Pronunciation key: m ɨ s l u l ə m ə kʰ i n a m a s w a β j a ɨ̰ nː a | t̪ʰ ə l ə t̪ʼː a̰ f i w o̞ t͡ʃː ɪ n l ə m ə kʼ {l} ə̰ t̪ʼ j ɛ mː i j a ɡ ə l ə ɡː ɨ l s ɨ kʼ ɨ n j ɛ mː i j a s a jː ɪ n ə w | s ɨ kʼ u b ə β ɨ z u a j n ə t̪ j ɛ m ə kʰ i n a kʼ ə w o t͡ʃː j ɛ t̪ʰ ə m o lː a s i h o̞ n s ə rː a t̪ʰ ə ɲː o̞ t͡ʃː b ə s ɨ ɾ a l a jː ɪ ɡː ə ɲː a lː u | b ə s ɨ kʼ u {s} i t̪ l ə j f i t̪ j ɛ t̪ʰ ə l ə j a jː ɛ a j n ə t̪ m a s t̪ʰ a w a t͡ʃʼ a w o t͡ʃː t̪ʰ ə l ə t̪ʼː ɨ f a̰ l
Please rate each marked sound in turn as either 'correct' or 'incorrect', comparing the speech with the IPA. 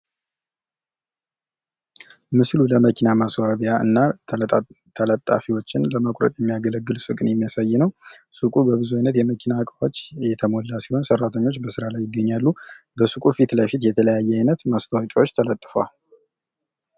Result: incorrect: ɾ, incorrect: f

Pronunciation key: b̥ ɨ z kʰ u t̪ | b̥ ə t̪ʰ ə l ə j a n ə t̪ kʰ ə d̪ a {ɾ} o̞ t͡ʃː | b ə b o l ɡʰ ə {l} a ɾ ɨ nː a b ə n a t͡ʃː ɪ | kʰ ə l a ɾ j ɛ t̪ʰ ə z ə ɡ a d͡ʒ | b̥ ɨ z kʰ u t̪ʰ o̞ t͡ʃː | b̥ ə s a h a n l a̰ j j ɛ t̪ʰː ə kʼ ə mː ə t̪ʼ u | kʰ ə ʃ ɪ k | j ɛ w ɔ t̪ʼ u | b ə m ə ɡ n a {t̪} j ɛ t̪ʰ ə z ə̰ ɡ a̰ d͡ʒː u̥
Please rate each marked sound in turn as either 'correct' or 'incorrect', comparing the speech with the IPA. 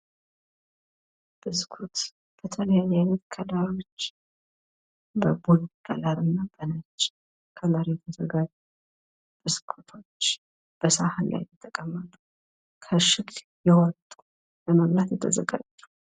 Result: correct, correct, correct

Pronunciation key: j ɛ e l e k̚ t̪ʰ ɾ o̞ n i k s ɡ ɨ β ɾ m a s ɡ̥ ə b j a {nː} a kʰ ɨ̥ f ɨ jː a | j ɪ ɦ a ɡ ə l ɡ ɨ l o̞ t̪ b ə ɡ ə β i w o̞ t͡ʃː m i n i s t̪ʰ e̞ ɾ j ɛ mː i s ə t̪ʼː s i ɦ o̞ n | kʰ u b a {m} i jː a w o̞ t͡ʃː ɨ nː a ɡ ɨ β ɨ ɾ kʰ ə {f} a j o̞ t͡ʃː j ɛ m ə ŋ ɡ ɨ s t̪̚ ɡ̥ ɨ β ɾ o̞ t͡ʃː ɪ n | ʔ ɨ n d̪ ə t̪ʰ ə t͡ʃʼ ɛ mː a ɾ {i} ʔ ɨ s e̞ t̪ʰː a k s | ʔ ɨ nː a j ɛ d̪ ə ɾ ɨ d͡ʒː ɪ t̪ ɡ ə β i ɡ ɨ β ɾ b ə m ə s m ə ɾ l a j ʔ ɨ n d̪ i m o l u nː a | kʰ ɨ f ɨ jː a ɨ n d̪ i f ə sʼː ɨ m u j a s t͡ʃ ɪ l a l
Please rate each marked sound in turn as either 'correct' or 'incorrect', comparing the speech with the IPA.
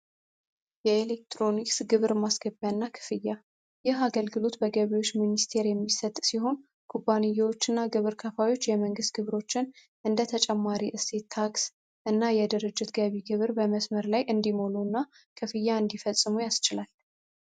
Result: correct, incorrect: n, correct, correct

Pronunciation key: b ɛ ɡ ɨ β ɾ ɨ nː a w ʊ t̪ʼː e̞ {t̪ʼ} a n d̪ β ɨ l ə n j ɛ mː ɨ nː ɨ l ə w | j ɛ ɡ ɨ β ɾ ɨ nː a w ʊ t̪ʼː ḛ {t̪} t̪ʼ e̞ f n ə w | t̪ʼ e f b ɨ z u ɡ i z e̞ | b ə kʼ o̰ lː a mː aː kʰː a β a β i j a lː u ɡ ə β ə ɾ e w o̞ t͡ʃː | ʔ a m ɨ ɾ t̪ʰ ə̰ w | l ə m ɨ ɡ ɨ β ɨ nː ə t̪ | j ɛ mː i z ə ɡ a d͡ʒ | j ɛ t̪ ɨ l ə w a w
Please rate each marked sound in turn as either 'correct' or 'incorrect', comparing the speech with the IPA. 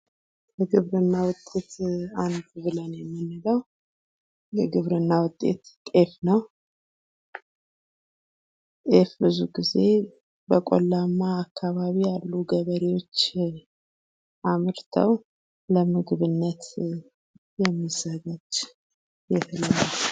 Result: incorrect: t̪, correct

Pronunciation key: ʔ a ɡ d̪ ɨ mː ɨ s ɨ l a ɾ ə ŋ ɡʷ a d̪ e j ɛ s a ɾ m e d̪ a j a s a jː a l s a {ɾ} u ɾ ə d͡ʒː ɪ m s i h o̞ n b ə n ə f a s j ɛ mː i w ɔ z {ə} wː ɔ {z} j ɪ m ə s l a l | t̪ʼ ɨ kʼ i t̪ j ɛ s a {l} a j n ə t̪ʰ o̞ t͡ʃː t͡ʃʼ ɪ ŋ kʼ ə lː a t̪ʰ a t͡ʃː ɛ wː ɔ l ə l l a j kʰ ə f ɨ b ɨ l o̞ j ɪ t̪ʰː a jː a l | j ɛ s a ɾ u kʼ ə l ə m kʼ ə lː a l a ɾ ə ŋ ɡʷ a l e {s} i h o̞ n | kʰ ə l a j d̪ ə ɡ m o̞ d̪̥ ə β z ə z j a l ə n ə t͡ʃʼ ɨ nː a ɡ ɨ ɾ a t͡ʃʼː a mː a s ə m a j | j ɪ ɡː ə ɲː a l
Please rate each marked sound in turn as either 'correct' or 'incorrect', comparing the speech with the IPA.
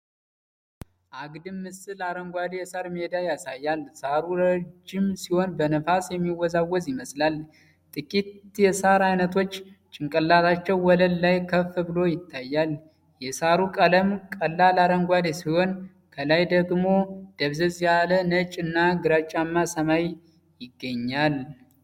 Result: correct, incorrect: a, correct, incorrect: ɾ, correct

